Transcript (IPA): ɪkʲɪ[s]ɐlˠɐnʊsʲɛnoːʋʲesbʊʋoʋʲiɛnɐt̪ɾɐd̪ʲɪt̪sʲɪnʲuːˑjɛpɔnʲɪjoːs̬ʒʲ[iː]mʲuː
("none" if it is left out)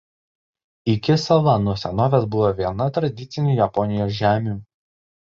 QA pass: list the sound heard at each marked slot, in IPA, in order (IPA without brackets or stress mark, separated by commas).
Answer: s, æː